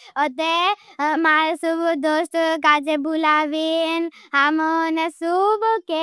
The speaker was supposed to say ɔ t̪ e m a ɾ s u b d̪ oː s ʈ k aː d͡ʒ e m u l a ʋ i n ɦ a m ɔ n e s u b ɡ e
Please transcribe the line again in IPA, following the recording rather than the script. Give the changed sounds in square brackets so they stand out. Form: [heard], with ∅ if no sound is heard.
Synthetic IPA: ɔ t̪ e m a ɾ s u b d̪ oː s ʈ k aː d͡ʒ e [b] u l a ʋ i n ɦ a m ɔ n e s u b [k] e